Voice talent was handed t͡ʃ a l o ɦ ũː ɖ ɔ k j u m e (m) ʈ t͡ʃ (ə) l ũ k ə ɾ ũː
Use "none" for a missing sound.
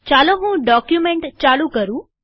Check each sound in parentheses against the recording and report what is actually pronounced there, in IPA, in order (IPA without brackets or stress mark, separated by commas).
ɳ, a